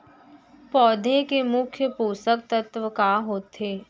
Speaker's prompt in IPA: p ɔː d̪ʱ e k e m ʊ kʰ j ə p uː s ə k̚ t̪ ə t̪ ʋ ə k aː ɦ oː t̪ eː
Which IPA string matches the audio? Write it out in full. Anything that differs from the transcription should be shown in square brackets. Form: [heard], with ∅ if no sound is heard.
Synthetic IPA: p ɔː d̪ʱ e k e m ʊ kʰ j ə p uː s ə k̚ t̪ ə t̪ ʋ ə k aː ɦ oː t̪ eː